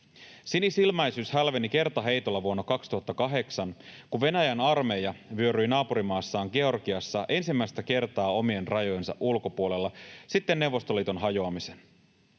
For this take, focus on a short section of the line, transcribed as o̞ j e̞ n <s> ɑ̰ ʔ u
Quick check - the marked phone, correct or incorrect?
correct